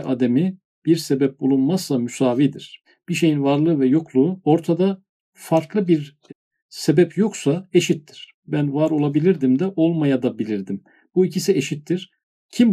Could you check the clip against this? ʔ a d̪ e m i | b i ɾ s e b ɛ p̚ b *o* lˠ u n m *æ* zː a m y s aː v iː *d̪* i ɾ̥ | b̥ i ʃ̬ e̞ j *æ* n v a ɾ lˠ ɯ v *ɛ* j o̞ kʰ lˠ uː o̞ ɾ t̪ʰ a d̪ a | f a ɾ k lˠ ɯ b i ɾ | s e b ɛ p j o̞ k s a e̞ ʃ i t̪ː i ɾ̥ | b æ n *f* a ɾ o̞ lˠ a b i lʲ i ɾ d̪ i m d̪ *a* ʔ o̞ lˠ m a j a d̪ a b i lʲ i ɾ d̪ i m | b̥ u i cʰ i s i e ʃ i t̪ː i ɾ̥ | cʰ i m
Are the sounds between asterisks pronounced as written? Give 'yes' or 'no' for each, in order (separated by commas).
no, no, yes, no, yes, no, no